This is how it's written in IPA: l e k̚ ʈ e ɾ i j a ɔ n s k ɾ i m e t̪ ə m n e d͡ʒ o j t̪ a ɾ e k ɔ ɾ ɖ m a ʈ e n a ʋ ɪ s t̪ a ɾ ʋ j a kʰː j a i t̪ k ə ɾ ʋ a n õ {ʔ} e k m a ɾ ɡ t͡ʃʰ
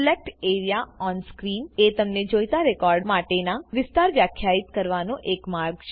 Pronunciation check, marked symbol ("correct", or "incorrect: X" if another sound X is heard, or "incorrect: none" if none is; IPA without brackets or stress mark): correct